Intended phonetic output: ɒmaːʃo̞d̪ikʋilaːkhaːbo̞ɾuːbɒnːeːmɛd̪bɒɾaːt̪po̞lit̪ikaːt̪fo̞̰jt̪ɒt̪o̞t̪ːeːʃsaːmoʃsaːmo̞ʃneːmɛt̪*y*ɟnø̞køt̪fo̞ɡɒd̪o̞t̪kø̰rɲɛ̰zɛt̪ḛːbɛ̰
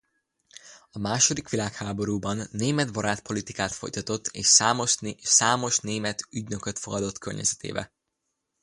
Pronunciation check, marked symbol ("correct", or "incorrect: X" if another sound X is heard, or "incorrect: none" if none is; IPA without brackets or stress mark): correct